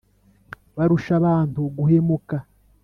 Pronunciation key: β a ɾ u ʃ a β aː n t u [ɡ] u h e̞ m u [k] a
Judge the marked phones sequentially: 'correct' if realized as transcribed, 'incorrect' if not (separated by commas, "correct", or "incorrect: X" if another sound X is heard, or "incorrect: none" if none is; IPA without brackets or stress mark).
correct, correct